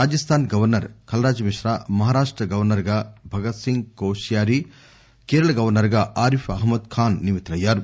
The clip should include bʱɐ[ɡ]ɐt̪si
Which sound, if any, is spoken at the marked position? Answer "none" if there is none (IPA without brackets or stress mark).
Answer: ɡ